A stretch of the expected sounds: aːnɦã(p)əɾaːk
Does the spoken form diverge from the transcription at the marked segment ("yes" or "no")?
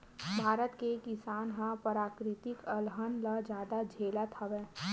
no